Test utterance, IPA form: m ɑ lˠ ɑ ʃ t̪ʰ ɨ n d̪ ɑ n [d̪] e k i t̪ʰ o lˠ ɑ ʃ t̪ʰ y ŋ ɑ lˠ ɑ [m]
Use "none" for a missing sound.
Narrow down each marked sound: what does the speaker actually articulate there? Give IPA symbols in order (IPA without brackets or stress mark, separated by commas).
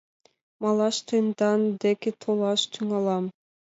d̪, m